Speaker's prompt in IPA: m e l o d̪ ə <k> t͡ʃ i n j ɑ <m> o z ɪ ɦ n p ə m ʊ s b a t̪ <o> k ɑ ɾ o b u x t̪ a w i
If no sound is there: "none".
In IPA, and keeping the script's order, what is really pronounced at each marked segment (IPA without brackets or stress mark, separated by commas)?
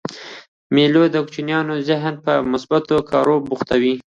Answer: k, n, o